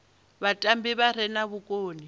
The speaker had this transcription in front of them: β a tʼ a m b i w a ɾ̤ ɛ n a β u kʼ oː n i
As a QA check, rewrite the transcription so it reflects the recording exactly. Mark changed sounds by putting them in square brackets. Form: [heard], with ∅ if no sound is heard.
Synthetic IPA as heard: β a tʼ a m b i [β] a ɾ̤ ɛ n a β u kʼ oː n i